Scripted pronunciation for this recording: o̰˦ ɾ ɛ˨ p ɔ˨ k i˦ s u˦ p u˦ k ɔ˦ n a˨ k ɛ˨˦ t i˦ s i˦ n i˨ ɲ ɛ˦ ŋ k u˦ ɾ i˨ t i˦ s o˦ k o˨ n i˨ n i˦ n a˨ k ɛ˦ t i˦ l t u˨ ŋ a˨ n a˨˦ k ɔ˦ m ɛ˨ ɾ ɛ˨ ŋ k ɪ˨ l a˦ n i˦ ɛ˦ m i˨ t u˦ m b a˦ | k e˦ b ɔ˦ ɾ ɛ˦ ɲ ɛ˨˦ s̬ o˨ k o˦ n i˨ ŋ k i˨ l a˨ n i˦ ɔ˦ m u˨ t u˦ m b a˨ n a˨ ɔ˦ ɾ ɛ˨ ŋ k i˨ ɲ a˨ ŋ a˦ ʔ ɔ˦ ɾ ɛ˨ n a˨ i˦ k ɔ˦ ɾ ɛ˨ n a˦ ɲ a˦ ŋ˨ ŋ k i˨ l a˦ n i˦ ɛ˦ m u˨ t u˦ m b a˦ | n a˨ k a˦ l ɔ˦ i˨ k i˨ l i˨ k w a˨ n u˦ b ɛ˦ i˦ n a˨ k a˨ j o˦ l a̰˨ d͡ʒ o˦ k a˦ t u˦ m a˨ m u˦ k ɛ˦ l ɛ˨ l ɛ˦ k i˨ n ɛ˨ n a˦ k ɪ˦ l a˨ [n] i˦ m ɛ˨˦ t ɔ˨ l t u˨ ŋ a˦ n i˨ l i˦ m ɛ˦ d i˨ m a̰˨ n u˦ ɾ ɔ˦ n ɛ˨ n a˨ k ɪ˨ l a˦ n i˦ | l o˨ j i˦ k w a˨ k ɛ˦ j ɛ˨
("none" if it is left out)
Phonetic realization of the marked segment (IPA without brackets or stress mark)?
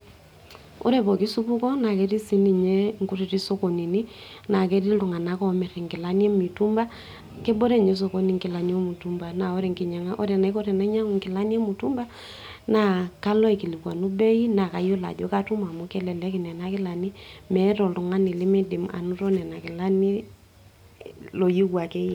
n